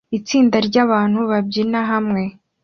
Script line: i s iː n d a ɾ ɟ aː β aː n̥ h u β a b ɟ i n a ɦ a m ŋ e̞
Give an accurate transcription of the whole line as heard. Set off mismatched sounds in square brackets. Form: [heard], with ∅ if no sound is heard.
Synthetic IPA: i [t͡s] iː n d a ɾ ɟ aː β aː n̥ h u β a b ɟ i n a ɦ a m ŋ e̞